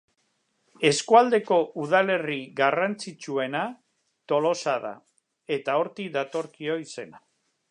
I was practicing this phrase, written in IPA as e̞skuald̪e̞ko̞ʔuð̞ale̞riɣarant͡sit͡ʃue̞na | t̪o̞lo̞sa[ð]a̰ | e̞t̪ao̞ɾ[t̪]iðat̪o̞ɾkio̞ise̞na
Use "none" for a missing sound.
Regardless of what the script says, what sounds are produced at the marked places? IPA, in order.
ð, t̪

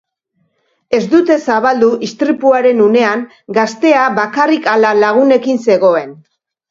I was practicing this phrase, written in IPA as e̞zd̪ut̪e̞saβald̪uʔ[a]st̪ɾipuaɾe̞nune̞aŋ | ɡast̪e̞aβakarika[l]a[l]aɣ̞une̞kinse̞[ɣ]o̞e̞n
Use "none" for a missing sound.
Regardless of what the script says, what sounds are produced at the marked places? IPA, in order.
i, l, l, ɣ

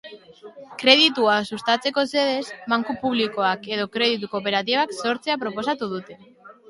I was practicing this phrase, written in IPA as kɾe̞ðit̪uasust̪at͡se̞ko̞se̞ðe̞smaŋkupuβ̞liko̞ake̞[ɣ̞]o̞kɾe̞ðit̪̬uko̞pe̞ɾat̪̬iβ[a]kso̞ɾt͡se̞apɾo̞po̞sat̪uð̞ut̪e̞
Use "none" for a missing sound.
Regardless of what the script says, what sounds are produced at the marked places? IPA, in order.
ð̞, a

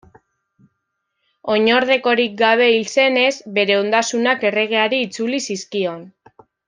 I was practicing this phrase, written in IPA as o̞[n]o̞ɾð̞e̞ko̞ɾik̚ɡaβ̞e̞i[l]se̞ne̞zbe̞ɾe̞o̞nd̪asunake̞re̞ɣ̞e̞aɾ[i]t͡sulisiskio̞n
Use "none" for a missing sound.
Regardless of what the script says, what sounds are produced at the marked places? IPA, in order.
ɲ, l, iː

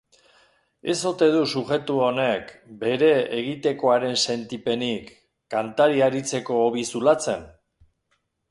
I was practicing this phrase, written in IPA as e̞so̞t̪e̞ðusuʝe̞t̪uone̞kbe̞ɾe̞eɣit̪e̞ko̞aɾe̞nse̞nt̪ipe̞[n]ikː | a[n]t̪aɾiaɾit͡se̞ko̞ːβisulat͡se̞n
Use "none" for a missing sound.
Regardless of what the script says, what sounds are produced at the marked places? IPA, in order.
n, n

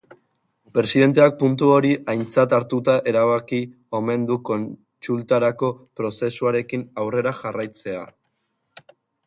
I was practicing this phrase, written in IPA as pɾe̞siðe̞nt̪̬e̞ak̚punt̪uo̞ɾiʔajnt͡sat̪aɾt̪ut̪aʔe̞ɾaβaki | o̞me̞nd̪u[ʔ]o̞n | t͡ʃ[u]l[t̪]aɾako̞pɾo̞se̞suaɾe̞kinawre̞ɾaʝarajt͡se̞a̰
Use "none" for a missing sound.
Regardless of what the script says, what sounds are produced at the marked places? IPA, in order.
k, u, t̪

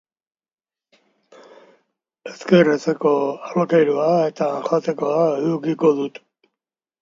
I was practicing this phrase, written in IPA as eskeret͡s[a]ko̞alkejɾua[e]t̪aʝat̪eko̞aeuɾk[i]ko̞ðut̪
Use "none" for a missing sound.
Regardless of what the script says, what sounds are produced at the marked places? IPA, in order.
e, e, i

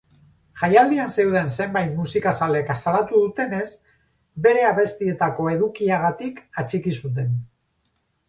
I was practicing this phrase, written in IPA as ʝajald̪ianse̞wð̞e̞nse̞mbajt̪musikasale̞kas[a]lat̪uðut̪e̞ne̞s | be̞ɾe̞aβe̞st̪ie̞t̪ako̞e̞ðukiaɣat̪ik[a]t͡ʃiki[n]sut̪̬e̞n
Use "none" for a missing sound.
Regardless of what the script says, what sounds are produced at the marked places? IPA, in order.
a, a, none

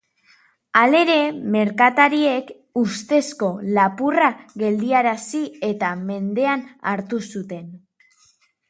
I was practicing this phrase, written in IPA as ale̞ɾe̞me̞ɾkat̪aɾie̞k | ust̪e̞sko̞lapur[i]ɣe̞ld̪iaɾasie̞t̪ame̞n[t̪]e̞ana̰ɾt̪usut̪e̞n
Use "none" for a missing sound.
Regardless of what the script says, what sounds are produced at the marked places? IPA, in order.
a, d̪

